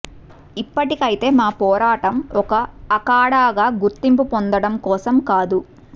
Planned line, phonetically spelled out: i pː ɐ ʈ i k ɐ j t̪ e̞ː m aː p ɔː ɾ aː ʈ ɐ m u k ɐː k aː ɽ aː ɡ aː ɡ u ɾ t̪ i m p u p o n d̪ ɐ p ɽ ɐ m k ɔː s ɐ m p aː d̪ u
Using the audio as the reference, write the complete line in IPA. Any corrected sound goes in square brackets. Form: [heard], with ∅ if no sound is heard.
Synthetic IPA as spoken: i pː ɐ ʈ i k ɐ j t̪ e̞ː m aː p ɔː ɾ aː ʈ ɐ m [ɔ] k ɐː k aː ɽ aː ɡ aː ɡ u ɾ t̪ i m p u p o n d̪ ɐ [∅] ɽ ɐ m k ɔː s ɐ m [k] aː d̪ u